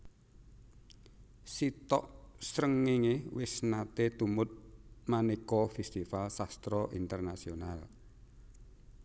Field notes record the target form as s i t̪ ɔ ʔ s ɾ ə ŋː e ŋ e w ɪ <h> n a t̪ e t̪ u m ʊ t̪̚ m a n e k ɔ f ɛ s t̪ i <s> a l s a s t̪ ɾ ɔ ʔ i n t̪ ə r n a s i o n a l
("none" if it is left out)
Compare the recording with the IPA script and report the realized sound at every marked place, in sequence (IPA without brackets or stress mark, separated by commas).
s, f